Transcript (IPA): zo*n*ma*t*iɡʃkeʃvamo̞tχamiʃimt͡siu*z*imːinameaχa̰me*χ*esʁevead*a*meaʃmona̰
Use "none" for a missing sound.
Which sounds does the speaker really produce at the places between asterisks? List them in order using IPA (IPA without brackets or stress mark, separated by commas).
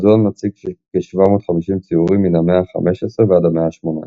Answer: n, t͡s, ʁ, ʃ, a